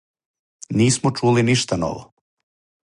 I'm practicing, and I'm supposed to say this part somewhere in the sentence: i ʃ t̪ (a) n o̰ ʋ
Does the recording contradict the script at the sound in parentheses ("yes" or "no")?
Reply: no